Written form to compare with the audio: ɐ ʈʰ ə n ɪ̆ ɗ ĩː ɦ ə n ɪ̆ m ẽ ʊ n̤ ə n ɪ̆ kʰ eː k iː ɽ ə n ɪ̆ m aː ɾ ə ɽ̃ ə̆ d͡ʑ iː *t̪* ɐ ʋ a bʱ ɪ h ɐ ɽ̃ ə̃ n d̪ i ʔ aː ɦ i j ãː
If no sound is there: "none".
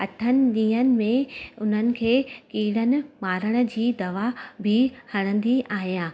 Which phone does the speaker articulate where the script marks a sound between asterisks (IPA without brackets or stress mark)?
d̪